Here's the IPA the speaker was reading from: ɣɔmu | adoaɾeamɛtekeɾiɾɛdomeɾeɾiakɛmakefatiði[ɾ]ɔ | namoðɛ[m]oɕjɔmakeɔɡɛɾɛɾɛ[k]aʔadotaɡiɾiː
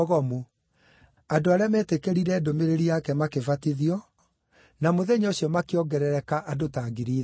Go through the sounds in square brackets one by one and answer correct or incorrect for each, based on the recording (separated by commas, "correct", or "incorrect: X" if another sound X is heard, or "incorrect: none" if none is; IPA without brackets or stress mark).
incorrect: none, incorrect: ɲ, correct